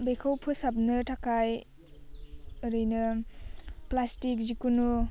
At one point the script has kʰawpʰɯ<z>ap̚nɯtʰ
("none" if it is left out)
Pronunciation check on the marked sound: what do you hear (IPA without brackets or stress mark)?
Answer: s